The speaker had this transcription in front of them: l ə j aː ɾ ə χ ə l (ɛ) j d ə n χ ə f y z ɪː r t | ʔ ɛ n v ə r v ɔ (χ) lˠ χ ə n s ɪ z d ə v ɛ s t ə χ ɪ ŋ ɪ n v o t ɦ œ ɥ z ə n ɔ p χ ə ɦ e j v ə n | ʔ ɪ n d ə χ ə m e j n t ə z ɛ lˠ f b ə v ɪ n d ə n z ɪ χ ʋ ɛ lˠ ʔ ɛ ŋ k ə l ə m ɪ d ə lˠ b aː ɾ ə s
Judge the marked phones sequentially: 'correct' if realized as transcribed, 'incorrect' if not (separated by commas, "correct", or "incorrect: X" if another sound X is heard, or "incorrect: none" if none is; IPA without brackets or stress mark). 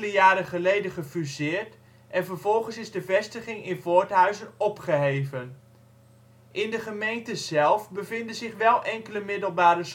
incorrect: e, incorrect: none